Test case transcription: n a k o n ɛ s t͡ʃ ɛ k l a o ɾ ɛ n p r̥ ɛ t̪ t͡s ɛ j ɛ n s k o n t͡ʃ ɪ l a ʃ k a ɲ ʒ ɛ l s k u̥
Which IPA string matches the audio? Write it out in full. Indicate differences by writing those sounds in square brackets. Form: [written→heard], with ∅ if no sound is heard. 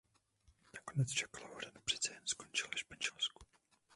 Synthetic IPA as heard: n a k o n ɛ [s→t͡s] t͡ʃ ɛ k l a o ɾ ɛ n p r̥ ɛ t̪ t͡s ɛ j ɛ n s k o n t͡ʃ ɪ l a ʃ [k→p] a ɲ ʒ ɛ l s k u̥